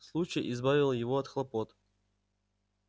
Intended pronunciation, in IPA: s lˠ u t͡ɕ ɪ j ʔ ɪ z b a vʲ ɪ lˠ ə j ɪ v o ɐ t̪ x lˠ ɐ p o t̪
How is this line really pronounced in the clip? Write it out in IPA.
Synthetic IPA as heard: s lˠ u t͡ɕ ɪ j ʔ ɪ z b a vʲ ɪ lˠ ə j ɪ v o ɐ t̪ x lˠ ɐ p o t̪